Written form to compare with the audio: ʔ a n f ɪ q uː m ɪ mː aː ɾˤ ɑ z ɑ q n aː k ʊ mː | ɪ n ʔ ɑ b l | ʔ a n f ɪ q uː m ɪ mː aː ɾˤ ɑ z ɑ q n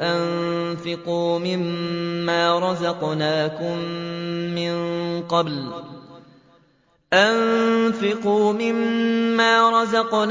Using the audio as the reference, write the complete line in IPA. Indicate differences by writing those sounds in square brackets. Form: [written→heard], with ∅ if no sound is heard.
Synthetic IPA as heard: ʔ a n f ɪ q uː m ɪ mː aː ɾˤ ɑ z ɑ q n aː k ʊ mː | ɪ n [ʔ→q] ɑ b l | ʔ a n f ɪ q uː m ɪ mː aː ɾˤ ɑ z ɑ q n